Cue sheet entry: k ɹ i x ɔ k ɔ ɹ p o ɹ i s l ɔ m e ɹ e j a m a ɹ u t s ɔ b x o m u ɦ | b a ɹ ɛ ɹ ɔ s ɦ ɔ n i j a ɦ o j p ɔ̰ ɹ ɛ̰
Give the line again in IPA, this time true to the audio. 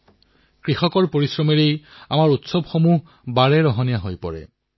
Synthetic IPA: k ɹ i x ɔ k ɔ ɹ p o ɹ i s ɹ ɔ m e ɹ e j a m a ɹ u t s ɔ b x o m u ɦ | b a ɹ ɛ ɹ ɔ ɦ ɔ n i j a ɦ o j p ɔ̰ ɹ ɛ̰